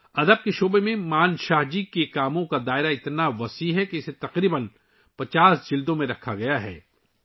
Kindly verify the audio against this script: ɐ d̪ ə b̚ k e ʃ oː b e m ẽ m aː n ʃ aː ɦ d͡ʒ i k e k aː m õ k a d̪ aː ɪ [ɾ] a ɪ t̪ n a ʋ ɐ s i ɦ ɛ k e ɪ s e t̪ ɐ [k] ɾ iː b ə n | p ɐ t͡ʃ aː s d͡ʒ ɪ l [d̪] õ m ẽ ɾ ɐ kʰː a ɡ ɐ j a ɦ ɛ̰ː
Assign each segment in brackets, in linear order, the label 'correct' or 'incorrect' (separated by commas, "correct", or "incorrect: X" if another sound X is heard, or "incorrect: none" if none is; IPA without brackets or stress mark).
correct, incorrect: q, correct